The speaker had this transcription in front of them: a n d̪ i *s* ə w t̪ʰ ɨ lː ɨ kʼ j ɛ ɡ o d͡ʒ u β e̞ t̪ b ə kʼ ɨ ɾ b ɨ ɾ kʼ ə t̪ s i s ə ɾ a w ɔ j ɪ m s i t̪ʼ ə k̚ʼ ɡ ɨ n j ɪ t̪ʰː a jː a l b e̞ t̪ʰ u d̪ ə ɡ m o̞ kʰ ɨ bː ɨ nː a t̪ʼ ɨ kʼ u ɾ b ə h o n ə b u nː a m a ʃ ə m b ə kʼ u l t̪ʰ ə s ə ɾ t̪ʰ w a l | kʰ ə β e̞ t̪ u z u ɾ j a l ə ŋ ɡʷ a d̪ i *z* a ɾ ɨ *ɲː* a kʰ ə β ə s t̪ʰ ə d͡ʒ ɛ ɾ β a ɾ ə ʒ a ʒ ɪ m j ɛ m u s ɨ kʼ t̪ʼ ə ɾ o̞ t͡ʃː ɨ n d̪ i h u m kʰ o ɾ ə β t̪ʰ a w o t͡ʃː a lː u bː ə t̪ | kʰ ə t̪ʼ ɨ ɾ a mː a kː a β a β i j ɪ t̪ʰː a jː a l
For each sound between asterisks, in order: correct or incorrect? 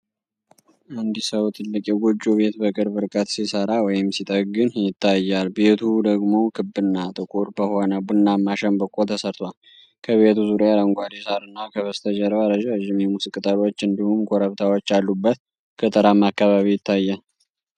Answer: correct, incorrect: s, incorrect: nː

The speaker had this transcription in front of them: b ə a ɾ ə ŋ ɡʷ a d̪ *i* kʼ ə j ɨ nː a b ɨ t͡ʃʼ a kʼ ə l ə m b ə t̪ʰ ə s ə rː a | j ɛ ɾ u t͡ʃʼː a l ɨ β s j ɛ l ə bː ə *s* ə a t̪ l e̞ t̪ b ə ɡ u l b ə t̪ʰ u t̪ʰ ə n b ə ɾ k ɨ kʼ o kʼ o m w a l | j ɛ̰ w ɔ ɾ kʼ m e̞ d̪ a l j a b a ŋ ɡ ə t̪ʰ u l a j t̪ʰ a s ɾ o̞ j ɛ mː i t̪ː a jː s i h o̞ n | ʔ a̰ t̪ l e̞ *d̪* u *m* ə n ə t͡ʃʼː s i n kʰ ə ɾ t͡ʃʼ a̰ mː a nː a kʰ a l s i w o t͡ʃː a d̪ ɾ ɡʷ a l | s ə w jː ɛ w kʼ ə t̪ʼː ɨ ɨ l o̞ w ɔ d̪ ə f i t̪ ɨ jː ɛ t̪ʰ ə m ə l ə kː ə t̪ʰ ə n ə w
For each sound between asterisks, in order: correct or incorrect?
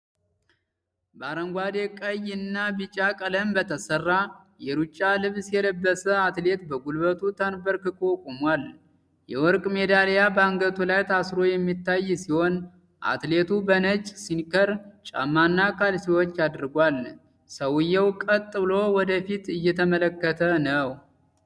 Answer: incorrect: e, correct, incorrect: t̪, incorrect: b

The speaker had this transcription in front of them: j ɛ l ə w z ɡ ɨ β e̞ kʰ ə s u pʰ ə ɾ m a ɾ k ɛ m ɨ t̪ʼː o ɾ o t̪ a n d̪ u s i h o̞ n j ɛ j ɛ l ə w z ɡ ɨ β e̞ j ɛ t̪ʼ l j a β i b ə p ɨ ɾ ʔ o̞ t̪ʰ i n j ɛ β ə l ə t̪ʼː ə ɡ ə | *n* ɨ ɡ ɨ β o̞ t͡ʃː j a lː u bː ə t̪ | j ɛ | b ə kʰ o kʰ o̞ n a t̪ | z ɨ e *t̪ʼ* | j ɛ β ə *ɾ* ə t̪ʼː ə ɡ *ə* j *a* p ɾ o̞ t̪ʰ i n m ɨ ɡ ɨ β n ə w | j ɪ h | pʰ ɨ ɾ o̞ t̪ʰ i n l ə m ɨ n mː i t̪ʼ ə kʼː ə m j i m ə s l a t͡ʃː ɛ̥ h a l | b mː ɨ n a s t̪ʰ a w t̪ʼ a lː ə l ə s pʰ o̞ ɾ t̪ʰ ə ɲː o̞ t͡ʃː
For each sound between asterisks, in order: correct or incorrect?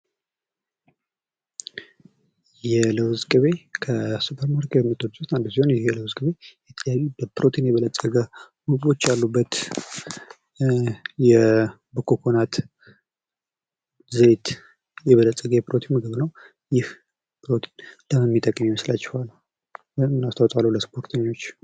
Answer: incorrect: m, incorrect: t̪, incorrect: l, correct, incorrect: ɛ

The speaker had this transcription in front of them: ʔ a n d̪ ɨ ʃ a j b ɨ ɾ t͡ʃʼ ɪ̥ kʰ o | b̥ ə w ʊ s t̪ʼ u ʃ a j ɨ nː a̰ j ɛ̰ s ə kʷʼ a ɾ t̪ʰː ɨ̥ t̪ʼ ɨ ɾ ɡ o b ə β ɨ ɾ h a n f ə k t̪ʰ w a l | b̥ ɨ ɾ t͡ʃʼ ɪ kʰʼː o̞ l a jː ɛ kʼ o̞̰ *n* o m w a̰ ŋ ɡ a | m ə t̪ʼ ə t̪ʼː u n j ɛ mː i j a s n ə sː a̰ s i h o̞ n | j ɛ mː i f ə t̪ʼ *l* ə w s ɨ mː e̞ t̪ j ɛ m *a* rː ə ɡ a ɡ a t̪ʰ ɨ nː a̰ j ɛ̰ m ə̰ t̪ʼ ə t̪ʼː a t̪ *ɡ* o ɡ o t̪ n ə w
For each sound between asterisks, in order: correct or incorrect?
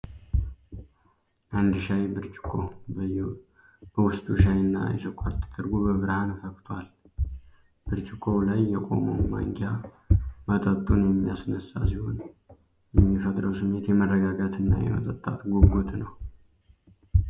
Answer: incorrect: m, incorrect: ɾ, incorrect: ə, correct

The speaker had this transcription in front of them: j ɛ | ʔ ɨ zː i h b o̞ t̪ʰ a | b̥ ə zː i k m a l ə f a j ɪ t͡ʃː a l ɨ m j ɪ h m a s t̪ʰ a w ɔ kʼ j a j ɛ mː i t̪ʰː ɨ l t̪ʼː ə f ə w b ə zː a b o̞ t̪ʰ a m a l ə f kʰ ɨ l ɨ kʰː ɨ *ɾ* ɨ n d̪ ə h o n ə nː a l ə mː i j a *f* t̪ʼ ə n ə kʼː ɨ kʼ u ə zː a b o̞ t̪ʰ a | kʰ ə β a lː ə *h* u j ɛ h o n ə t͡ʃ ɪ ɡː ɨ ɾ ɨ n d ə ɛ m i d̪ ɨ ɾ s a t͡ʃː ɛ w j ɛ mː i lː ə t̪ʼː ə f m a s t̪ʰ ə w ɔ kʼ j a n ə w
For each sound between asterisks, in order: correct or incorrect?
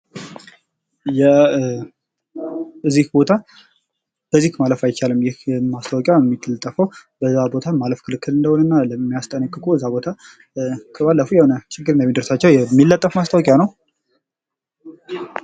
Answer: incorrect: l, incorrect: s, incorrect: f

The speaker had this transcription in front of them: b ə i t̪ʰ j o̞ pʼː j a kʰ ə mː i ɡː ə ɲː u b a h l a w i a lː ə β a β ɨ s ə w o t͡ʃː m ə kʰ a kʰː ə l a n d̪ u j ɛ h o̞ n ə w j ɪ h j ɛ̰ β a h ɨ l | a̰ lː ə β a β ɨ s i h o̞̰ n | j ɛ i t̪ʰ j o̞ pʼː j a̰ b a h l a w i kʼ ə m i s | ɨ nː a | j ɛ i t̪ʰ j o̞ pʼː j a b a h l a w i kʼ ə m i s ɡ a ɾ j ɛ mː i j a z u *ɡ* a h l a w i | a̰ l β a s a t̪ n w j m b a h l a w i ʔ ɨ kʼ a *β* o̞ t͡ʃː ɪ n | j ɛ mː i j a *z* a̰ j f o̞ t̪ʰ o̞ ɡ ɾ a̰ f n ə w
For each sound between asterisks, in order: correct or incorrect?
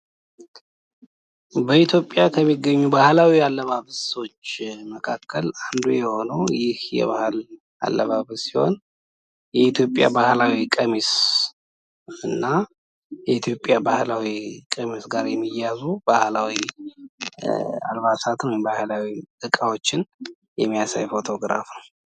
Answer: incorrect: b, incorrect: w, incorrect: s

